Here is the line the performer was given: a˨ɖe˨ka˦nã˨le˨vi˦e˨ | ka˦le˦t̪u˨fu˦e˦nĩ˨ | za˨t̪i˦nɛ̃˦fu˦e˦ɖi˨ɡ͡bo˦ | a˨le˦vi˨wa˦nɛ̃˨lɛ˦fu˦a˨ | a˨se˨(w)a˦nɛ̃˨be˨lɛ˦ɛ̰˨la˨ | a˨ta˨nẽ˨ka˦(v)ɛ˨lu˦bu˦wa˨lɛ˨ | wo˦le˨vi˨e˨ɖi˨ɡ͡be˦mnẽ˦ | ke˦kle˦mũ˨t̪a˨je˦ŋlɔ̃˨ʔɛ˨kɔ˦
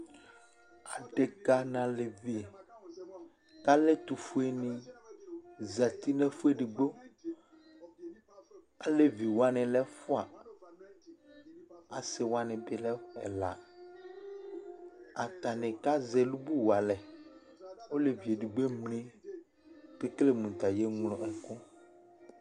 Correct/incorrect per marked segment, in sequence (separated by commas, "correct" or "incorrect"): correct, incorrect